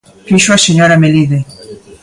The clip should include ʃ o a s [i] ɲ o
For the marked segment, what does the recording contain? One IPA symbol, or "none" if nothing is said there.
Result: e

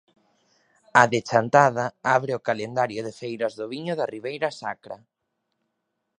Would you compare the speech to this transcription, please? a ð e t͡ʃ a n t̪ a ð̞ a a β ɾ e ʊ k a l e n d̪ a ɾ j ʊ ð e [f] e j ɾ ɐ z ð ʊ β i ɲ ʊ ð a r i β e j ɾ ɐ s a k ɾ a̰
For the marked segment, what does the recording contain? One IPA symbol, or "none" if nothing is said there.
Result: f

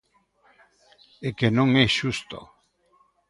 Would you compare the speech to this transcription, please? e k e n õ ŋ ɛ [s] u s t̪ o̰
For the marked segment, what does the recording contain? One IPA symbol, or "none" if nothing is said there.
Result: ʃ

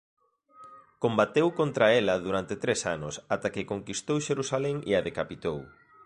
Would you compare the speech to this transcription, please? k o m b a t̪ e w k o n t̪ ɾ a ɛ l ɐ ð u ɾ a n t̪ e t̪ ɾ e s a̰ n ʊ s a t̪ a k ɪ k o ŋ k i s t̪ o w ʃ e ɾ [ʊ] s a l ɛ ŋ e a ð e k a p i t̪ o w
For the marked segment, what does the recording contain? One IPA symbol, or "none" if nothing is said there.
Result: u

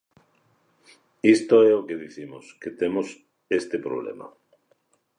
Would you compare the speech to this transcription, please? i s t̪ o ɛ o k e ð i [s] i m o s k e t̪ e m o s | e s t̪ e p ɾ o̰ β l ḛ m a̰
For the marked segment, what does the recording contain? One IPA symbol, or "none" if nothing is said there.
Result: θ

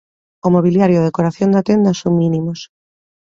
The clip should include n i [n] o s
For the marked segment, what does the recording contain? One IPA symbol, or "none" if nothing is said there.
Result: m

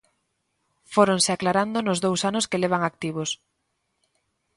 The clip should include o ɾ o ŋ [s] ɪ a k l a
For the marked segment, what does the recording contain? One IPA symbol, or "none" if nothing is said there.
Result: s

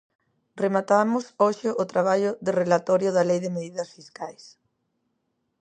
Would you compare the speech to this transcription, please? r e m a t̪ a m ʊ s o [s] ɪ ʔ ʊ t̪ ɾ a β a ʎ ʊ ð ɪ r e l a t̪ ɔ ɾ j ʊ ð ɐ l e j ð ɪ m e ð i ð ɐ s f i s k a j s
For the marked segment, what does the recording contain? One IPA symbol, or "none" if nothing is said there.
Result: ʃ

